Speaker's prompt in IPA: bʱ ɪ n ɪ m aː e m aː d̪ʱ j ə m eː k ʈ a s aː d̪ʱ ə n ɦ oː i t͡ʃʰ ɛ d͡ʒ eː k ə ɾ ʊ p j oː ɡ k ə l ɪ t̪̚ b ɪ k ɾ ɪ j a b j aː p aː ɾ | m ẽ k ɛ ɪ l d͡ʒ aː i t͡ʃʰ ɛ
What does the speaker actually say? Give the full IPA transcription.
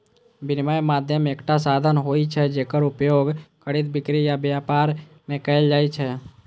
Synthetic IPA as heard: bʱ ɪ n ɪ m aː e m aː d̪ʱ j ə m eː k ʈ a s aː d̪ʱ ə n ɦ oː i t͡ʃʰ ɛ d͡ʒ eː k ə ɾ ʊ p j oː ɡ k ə ɽ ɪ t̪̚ b ɪ k ɾ i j a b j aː p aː ɾ | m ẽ k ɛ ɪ l d͡ʒ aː i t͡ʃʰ ɛ